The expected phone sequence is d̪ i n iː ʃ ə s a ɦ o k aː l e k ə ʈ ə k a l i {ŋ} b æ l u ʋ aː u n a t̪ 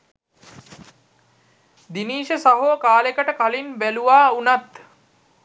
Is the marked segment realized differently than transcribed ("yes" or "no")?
yes